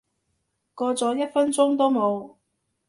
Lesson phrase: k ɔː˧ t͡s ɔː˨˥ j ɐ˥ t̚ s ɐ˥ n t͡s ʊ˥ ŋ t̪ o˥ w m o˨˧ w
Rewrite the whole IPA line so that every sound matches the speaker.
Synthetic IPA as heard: k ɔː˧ t͡s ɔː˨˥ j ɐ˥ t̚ f ɐ˥ n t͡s ʊ˥ ŋ t̪ o˥ w m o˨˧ w